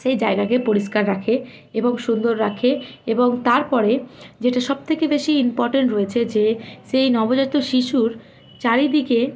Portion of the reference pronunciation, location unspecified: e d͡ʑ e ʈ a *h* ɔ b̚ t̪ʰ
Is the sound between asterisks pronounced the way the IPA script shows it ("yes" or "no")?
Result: no